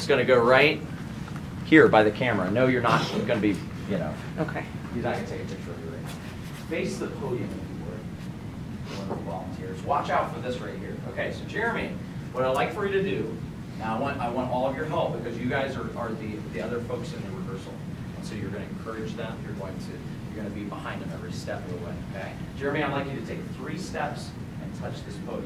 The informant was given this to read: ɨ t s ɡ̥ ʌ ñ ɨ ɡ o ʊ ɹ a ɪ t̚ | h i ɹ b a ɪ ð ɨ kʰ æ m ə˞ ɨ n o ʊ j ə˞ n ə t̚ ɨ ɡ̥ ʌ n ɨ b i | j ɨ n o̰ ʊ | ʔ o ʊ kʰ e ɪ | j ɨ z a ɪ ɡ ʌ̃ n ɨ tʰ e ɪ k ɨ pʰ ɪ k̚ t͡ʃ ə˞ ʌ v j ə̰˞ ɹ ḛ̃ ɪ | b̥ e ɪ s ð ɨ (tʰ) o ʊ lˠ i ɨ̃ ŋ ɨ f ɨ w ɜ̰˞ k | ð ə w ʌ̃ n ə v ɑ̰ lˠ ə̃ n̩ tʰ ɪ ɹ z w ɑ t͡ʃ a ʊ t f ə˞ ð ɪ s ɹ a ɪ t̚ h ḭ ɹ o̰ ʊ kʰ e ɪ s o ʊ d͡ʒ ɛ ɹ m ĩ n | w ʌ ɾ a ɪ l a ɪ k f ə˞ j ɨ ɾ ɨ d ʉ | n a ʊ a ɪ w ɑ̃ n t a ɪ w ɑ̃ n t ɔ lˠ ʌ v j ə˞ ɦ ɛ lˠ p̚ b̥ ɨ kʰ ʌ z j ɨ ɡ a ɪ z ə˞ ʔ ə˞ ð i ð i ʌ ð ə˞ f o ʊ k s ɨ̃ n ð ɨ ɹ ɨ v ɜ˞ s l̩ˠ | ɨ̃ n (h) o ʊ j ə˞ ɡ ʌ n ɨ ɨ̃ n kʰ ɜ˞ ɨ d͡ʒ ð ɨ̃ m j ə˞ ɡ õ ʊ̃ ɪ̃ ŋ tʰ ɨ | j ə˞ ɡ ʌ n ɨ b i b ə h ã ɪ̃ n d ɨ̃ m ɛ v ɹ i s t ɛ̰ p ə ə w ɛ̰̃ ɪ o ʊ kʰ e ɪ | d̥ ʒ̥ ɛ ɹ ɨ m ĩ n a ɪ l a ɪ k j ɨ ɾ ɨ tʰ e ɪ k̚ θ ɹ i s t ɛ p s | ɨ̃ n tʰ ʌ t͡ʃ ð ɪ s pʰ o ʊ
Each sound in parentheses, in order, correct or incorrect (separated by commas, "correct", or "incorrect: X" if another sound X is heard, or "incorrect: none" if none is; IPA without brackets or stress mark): incorrect: pʰ, incorrect: s